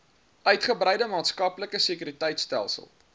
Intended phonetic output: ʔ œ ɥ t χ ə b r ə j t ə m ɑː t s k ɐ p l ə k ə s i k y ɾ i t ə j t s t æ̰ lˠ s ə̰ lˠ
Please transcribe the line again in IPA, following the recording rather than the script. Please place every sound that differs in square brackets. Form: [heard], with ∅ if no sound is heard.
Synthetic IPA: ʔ œ ɥ t χ ə b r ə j [d] ə m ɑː t s k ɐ p l ə k ə s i k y ɾ i t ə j t s t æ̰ lˠ s ə̰ lˠ